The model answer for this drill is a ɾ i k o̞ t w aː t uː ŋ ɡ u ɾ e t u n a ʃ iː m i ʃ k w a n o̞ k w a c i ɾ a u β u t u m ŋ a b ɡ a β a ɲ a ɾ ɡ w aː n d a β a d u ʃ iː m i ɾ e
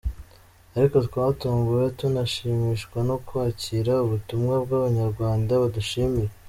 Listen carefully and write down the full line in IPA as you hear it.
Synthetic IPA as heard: a ɾ i k o̞ t w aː t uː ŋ ɡ u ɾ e t u n a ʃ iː m i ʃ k w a n o̞ k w a c i ɾ a u β u t u m ŋ a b ɡ a β a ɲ a ɾ ɡ w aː n d a β a d u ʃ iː m i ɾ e